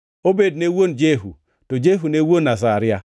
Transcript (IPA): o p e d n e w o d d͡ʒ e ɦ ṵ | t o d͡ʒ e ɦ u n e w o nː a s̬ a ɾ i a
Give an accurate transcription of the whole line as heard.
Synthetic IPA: o b e d n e w o n d͡ʒ e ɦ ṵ | t o d͡ʒ e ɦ u n e w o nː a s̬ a ɾ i a